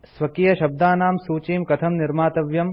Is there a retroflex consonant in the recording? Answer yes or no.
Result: no